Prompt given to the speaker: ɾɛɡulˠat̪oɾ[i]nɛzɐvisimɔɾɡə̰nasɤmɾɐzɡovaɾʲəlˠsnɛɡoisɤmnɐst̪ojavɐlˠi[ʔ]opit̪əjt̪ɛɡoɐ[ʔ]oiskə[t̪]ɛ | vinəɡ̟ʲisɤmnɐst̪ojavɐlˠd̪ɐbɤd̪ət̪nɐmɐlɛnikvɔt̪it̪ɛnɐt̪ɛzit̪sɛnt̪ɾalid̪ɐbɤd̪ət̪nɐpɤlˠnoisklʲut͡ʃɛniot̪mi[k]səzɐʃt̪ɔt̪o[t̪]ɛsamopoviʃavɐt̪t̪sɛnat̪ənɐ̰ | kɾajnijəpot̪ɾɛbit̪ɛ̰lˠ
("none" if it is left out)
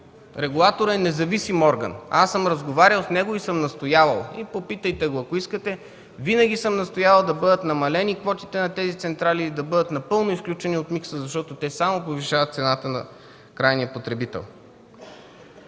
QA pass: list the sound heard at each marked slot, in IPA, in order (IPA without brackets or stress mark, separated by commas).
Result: ɛ, p, k, t̪, k, t̪